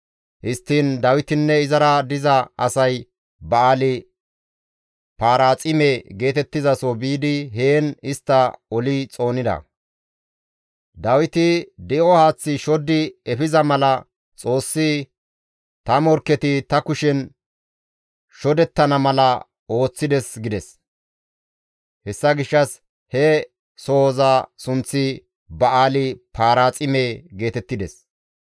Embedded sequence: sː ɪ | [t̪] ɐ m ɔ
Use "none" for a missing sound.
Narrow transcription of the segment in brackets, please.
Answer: t̪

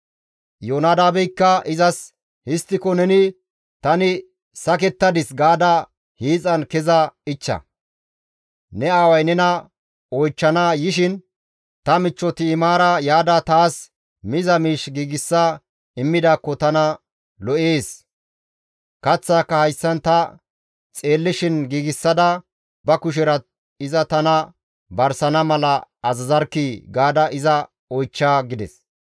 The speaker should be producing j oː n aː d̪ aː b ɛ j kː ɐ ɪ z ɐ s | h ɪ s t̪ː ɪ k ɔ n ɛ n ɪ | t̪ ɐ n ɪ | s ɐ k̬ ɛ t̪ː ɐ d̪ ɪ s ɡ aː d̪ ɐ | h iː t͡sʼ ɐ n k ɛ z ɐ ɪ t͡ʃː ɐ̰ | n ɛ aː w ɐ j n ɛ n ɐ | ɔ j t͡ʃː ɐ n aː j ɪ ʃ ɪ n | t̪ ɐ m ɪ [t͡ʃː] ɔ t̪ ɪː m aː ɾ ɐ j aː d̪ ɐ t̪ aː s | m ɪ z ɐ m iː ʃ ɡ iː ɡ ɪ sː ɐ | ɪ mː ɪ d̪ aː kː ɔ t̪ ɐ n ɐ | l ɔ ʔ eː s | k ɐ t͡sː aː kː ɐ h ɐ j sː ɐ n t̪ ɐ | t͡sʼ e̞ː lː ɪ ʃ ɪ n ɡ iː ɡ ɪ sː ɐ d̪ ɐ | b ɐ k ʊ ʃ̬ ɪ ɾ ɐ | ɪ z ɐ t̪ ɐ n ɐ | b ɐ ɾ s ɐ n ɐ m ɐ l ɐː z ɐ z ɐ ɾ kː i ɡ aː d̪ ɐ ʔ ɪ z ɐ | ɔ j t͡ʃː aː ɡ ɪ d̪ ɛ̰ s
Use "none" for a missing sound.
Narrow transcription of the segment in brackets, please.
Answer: t͡ʃː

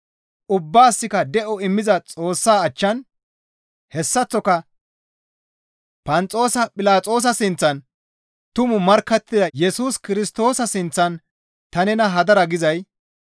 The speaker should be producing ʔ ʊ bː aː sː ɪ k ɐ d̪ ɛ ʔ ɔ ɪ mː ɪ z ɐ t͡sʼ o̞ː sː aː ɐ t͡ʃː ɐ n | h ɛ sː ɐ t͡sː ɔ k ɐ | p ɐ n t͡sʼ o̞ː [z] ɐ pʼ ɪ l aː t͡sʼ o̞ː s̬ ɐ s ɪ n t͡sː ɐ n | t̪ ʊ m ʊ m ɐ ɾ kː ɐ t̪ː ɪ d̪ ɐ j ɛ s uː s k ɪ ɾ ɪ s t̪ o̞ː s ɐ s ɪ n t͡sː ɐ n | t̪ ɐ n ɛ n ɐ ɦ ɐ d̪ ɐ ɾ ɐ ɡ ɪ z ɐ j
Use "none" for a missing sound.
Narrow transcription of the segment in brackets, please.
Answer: s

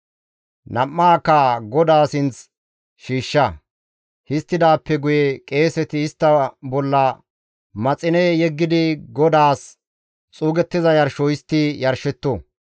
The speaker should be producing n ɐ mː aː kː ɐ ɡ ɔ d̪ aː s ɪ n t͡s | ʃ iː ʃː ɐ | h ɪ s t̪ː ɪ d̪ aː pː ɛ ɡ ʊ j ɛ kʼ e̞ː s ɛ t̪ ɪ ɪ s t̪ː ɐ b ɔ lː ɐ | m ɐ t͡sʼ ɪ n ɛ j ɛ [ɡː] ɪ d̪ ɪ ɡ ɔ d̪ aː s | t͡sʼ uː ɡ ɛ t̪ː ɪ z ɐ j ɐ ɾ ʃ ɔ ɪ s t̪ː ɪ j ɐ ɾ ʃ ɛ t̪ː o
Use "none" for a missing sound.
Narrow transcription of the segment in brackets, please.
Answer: ɡː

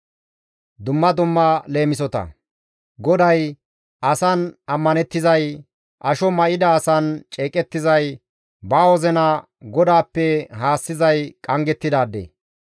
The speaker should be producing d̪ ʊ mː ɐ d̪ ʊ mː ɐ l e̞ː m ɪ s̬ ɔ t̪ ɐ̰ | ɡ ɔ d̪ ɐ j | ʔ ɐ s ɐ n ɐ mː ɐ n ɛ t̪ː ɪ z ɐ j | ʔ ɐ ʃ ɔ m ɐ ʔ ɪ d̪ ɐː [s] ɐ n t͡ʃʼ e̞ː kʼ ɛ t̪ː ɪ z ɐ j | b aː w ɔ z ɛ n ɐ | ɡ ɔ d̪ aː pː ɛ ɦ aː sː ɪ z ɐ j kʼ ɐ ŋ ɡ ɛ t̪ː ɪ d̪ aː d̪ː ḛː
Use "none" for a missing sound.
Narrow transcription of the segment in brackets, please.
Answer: s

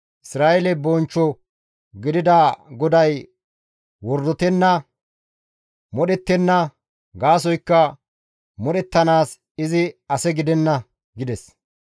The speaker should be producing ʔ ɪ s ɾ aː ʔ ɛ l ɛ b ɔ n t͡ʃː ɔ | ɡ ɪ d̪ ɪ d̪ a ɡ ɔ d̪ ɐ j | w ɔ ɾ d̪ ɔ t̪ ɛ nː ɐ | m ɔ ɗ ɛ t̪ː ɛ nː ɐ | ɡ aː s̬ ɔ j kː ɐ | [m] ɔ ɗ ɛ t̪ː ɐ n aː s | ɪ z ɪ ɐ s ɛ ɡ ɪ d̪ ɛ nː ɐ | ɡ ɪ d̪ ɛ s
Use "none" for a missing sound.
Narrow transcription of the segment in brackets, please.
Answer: m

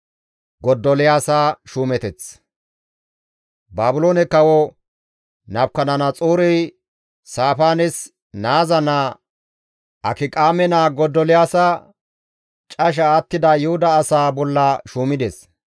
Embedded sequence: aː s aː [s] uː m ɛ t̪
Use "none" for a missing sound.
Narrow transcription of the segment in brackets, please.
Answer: ʃ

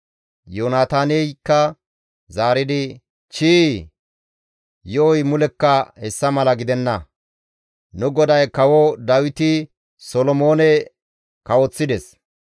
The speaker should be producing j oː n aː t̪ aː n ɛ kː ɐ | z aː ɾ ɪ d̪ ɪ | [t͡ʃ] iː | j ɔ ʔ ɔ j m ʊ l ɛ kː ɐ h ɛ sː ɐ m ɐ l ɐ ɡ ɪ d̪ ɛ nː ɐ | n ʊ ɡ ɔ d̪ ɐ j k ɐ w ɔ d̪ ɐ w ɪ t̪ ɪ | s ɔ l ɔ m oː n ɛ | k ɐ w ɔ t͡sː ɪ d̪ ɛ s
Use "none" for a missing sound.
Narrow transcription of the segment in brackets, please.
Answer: t͡ʃ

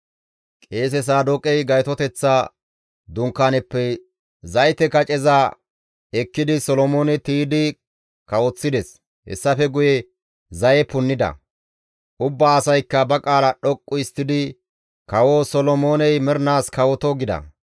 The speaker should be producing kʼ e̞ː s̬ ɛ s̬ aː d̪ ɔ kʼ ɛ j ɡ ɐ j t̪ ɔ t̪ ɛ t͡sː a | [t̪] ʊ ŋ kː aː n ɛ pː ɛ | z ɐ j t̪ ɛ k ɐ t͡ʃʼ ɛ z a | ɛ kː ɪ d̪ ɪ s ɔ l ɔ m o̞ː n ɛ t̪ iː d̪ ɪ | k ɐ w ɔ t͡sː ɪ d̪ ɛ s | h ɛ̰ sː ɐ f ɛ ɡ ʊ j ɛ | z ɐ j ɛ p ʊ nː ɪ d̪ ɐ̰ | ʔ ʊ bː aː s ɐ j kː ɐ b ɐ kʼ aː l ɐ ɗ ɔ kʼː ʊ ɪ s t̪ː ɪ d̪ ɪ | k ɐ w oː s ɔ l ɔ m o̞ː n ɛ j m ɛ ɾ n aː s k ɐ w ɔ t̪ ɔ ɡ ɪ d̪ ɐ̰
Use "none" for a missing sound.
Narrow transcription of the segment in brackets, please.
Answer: d̪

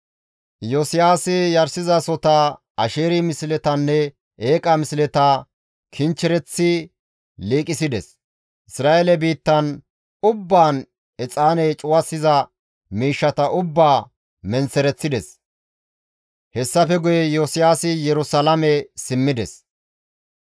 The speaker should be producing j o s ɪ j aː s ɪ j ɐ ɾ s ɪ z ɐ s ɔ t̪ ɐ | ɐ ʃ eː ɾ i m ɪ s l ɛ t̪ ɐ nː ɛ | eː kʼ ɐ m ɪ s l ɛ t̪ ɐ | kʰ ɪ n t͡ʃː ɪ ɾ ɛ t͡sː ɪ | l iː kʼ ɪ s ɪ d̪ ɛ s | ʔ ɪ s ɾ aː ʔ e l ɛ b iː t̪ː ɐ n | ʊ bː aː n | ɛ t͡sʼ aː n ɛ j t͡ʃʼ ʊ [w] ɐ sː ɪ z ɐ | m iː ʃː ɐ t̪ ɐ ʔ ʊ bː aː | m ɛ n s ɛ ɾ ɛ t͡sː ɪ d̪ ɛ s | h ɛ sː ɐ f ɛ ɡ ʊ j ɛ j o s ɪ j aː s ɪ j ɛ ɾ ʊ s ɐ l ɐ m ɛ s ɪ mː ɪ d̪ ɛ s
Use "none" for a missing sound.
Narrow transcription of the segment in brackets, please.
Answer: w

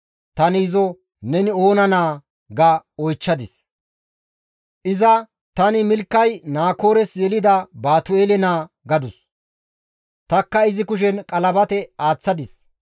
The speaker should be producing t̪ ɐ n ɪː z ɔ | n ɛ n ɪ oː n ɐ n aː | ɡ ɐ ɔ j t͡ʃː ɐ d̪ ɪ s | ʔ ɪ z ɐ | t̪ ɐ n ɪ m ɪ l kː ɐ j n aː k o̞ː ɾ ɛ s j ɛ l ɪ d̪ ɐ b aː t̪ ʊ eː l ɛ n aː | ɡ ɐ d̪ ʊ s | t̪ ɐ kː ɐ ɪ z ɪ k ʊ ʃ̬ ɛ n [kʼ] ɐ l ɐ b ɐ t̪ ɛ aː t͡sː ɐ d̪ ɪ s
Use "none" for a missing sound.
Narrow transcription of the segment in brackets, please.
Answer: kʼ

